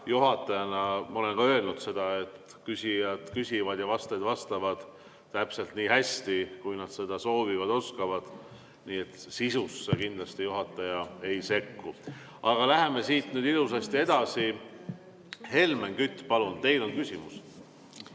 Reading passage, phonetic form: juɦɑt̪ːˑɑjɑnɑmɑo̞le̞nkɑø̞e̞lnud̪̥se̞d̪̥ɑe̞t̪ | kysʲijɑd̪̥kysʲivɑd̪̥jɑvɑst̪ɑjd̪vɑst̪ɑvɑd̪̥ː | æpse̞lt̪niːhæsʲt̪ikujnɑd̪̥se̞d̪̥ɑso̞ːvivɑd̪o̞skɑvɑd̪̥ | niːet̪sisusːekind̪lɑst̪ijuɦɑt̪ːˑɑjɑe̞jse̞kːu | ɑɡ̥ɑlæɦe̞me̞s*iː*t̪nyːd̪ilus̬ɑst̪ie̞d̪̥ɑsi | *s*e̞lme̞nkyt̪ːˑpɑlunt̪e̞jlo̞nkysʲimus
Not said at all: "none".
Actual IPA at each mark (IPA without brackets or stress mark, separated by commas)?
iː, h